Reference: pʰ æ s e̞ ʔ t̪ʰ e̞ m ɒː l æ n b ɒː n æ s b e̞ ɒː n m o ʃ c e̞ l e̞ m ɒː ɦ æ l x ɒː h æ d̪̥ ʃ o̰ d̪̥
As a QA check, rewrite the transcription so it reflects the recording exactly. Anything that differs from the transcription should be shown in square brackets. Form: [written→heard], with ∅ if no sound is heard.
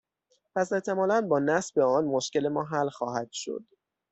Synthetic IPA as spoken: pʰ æ s e̞ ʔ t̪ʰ e̞ m ɒː l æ n b ɒː n æ s b e̞ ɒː n m o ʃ c e̞ l e̞ m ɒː ɦ æ l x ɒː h æ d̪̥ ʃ o̰ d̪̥